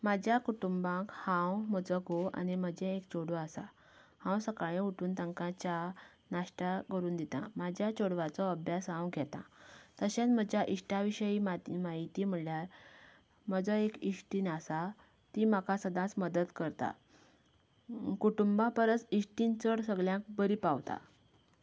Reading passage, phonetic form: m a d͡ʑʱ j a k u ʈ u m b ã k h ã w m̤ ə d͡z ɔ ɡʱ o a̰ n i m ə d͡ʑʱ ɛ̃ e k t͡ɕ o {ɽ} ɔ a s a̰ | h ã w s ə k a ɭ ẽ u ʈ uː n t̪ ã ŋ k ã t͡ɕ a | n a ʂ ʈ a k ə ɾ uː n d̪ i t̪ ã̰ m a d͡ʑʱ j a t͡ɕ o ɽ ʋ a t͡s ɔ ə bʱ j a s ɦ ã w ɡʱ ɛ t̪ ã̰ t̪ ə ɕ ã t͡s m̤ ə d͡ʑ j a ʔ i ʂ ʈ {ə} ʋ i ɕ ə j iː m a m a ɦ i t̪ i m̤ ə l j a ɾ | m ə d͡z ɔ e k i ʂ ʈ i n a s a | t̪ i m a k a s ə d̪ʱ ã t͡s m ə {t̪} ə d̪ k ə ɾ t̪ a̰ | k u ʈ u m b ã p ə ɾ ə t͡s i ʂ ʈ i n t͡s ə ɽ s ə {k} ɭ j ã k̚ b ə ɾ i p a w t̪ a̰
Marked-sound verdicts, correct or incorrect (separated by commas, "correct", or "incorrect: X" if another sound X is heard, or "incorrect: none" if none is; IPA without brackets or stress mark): correct, incorrect: a, incorrect: d̪, incorrect: ɡ